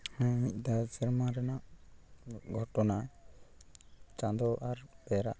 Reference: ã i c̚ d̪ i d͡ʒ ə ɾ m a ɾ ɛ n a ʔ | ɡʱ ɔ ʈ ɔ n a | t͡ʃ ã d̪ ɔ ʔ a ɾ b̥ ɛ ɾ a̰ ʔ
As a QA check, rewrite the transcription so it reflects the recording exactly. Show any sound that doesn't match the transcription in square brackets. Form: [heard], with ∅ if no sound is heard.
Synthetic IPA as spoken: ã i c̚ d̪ [a] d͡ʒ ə ɾ m a ɾ ɛ n a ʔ | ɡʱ ɔ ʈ ɔ n a | t͡ʃ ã d̪ ɔ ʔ a ɾ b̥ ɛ ɾ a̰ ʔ